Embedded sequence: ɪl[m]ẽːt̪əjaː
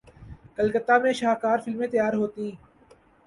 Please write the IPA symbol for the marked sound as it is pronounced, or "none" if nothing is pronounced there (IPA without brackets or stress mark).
m